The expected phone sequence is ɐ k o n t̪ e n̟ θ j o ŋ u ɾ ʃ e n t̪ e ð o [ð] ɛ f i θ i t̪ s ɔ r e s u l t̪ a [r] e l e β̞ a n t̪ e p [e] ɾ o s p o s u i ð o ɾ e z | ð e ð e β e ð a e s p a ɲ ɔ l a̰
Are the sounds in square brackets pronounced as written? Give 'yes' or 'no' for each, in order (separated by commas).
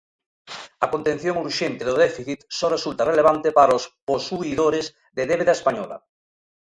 yes, yes, no